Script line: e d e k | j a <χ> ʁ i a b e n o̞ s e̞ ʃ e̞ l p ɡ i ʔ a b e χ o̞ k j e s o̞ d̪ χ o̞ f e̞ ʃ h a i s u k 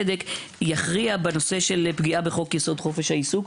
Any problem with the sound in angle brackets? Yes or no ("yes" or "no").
no